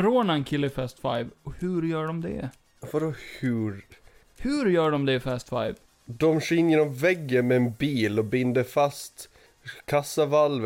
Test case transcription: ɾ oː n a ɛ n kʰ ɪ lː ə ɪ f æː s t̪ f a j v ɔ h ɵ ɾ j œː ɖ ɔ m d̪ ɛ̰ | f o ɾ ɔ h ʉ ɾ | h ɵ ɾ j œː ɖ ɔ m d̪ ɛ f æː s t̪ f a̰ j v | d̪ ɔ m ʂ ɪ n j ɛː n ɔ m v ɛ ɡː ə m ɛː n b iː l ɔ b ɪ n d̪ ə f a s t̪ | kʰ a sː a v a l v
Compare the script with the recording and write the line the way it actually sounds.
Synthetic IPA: ɾ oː n a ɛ n kʰ ɪ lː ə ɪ f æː s t̪ f a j v ɔ h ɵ ɾ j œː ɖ ɔ m d̪ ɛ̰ | f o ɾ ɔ h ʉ ɾ | h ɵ ɾ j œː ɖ ɔ m d̪ ɛ f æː s t̪ f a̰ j v | d̪ ɔ m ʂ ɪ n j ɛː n ɔ m v ɛ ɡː ə m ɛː n b iː l ɔ b ɪ n d̪ ə f a s t̪ | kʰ a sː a v a l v